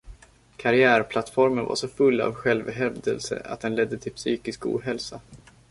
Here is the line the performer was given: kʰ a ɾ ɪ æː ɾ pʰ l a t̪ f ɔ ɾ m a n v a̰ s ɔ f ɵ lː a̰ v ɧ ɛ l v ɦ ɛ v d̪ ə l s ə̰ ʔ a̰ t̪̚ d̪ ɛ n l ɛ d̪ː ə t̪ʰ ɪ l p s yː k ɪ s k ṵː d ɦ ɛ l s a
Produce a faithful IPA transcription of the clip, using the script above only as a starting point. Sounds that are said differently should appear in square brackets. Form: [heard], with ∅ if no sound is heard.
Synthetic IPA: kʰ a ɾ ɪ æː ɾ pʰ l a t̪ f ɔ ɾ m [ə] n v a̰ [ʂ] ɔ f ɵ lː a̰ v ɧ ɛ l v ɦ ɛ v d̪ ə l s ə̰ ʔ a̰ t̪̚ d̪ ɛ n l ɛ d̪ː ə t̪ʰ ɪ l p s yː k ɪ s k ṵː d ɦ ɛ l s a